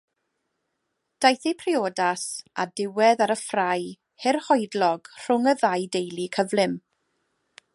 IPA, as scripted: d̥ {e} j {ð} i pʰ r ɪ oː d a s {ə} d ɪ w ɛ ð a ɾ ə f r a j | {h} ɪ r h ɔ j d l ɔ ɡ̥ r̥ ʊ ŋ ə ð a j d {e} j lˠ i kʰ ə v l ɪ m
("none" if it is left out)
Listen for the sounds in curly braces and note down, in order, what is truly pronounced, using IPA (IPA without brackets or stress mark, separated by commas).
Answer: a, θ, a, h, e